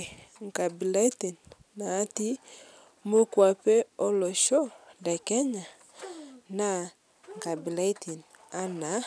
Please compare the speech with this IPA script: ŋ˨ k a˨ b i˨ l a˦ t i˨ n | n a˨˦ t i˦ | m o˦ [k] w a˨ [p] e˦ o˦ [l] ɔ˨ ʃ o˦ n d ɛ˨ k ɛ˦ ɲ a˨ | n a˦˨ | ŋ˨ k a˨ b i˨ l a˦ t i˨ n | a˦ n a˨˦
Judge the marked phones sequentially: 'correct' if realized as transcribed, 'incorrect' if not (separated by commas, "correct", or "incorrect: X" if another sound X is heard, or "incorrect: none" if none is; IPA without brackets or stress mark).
correct, correct, correct